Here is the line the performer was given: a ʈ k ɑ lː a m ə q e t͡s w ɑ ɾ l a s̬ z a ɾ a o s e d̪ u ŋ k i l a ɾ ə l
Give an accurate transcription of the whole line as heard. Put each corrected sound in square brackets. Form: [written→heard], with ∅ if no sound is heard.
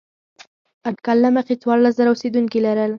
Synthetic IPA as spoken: a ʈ k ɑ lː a m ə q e t͡s w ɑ ɾ l a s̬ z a ɾ a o s e d̪ u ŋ k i l a ɾ ə l

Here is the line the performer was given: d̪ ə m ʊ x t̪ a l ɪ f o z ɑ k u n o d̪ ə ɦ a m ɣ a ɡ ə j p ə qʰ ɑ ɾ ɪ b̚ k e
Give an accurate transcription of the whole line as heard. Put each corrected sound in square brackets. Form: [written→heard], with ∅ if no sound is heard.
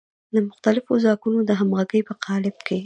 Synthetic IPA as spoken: d̪ ə m ʊ x t̪ a l ɪ f o z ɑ k u n o d̪ ə ɦ a m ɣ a ɡ ə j p ə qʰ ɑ [ɾ→l] ɪ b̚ k e

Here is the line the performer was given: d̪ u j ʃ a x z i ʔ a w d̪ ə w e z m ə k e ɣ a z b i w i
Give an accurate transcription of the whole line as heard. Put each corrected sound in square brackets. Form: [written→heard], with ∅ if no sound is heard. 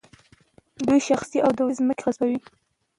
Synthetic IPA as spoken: d̪ u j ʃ a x [z→s] i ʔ a w d̪ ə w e z m ə k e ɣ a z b [i→a] w i

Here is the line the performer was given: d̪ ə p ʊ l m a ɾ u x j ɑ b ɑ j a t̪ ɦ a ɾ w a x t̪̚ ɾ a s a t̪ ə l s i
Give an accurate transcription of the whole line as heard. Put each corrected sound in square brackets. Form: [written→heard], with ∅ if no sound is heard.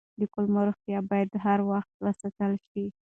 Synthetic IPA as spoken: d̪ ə [p→k] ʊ l m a ɾ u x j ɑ b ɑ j a [t̪→d̪] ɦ a ɾ w a x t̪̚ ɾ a s a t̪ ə l [s→ʃ] i

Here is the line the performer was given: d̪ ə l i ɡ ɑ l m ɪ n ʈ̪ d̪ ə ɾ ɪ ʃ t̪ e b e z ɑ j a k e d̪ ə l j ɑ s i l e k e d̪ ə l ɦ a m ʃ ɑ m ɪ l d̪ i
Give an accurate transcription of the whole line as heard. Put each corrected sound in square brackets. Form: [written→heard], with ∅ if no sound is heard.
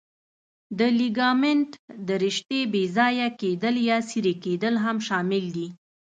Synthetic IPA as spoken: d̪ ə l i ɡ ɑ [l→∅] m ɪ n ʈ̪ d̪ ə ɾ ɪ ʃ t̪ e b e z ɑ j a k e d̪ ə l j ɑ s i [l→ɾ] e k e d̪ ə l ɦ a m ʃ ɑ m ɪ l d̪ i

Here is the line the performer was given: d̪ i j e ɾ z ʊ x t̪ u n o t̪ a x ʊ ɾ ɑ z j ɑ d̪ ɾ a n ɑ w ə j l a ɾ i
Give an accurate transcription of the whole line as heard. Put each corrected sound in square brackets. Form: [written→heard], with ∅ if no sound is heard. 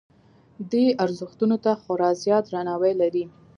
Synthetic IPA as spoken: d̪ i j [e→a] ɾ z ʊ x t̪ u n o t̪ a x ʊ ɾ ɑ z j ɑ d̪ ɾ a n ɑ w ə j l a ɾ i

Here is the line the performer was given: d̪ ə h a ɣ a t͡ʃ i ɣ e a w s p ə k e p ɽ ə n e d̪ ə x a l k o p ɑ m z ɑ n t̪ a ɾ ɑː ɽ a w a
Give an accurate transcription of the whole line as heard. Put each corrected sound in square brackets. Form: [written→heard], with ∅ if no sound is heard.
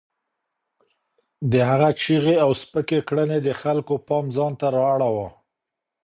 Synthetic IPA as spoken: d̪ ə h a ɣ a t͡ʃ i ɣ e a w s p ə k e [p→k] ɽ ə n e d̪ ə x a l k o p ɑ m z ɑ n t̪ a ɾ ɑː ɽ a w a

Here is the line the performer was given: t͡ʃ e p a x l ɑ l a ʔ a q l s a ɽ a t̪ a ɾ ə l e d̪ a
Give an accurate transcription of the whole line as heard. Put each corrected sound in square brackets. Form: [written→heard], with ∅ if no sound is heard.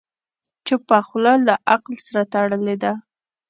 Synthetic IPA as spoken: t͡ʃ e p a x l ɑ l a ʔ a q l s a [ɽ→ɾ] a t̪ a [ɾ→ɽ] ə l e d̪ a

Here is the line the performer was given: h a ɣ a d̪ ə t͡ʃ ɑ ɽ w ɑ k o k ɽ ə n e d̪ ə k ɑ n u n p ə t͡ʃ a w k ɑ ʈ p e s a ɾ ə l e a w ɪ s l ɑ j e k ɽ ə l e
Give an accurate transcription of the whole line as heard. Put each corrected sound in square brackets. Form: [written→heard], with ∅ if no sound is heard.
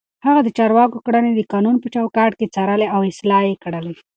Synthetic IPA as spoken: h a ɣ a d̪ ə t͡ʃ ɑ [ɽ→ɾ] w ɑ k o k ɽ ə n e d̪ ə k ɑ n u n p ə t͡ʃ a w k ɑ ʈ [p→k] e [s→t͡s] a ɾ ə l e a w ɪ s l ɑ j e k ɽ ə l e

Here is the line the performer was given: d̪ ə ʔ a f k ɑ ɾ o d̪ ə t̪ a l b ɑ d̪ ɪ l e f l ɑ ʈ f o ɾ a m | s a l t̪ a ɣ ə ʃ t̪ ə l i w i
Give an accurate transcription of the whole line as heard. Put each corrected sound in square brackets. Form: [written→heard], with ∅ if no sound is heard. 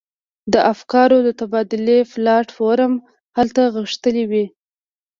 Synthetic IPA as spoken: d̪ ə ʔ a f k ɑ ɾ o d̪ ə t̪ a [l→∅] b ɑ d̪ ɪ l e f l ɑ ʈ f o ɾ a m | [s→h] a l t̪ a ɣ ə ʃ t̪ ə l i w i

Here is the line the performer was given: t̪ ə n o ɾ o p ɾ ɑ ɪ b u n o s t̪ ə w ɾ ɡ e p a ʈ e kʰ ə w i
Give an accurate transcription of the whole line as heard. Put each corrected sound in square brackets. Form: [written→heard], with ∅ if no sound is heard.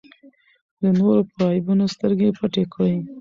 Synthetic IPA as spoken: [t̪→d̪] ə n o ɾ o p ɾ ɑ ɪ b u n o s t̪ ə [w→∅] ɾ ɡ e p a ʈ e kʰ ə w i

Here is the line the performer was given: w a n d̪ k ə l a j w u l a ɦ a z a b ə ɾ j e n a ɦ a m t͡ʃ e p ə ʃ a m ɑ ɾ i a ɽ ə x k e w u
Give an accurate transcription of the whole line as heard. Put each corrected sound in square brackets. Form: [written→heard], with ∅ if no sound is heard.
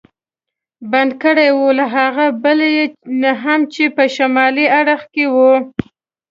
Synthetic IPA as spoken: [w→b] a n d̪ k ə [l→ɽ] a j w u l a ɦ a [z→ɣ] a b ə [ɾ→l] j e n a ɦ a m t͡ʃ e p ə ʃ a m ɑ [ɾ→l] i a ɽ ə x k e w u

